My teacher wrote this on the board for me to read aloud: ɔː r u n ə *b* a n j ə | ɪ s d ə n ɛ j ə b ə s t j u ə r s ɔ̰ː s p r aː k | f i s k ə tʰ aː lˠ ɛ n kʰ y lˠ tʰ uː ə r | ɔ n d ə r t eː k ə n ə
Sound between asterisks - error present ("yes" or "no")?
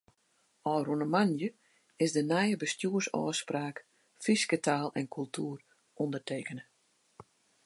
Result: yes